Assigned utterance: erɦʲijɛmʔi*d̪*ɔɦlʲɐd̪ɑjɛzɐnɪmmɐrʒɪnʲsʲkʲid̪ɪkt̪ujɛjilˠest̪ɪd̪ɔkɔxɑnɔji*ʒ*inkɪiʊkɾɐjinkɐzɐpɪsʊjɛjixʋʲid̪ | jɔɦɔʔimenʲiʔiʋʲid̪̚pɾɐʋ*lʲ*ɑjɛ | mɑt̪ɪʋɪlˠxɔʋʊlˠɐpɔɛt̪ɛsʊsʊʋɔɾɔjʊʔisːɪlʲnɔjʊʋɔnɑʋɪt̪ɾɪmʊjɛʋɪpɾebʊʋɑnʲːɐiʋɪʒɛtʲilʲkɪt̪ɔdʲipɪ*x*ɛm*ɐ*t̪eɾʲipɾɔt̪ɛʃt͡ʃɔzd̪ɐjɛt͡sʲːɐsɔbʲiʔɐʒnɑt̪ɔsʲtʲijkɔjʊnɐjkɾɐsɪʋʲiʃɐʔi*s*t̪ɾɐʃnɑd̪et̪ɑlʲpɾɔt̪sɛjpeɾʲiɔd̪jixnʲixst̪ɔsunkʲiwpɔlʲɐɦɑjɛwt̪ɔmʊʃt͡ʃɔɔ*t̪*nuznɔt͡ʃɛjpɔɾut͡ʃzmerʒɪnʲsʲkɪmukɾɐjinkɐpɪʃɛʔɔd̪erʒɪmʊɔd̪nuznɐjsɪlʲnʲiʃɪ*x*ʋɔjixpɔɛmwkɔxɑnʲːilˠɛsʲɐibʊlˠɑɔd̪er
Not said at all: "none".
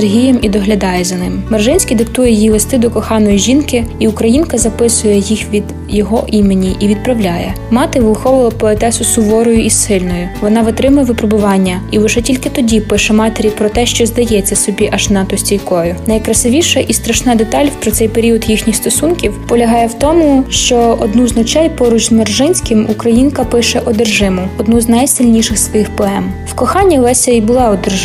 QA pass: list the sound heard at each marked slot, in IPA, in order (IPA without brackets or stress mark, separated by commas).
d̪, ʒ, lʲ, ʃ, ɑ, s, d̪, s